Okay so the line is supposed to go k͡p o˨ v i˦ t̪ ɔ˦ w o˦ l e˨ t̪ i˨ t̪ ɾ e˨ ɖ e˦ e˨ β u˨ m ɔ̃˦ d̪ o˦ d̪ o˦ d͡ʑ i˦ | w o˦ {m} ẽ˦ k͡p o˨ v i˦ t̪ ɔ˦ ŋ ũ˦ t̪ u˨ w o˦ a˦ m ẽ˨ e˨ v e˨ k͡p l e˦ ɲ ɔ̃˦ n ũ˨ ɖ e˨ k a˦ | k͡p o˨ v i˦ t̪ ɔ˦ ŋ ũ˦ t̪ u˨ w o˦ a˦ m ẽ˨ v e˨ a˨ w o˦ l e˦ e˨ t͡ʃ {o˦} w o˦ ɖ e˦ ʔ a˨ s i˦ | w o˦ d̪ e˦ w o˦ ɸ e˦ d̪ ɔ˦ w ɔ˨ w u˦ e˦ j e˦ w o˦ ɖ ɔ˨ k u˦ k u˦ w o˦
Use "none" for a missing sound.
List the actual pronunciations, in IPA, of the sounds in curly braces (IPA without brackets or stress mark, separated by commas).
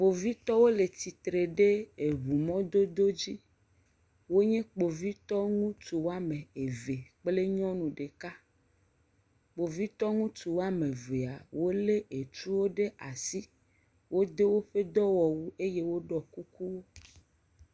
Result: ɲ, u˦